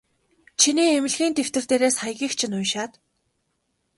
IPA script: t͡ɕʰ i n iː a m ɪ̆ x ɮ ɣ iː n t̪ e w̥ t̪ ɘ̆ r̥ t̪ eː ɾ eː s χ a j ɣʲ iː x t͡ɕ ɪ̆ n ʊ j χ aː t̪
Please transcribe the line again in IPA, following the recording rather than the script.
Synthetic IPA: t͡ɕʰ i n iː e m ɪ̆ ɮ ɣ iː n t̪ e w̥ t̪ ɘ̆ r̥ t̪ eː ɾ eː s χ a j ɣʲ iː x t͡ɕʰ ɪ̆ n ʊ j ʃ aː t̪